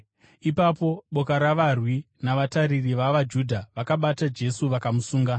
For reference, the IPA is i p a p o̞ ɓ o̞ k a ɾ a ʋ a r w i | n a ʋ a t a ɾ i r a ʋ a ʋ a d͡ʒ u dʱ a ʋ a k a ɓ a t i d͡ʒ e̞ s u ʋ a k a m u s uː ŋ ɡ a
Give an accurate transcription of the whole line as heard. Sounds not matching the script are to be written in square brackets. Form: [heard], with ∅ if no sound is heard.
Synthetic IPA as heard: i p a p o̞ ɓ o̞ k a ɾ a ʋ a r w i | n a ʋ a t a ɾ i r [i] ʋ a ʋ a d͡ʒ u dʱ a ʋ a k a ɓ a t [a] d͡ʒ e̞ s u ʋ a k a m u s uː ŋ ɡ a